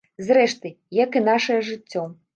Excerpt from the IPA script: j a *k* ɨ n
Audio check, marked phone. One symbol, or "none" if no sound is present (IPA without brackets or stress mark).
k